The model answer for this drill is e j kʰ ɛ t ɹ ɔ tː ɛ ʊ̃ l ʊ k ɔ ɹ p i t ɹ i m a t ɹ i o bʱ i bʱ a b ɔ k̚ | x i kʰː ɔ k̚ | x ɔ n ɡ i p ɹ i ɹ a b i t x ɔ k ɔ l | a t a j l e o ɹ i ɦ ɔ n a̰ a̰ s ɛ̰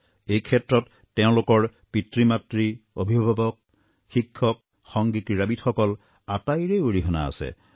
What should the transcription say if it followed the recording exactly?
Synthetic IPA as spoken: e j kʰ ɛ t ɹ ɔ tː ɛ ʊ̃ l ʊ k ɔ ɹ p i t ɹ i m a t ɹ i o bʱ i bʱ a b ɔ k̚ | x i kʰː ɔ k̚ | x ɔ ŋ ɡ i k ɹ i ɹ a b i t x ɔ k ɔ l | a t a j ɹ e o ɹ i ɦ ɔ n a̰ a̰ s ɛ̰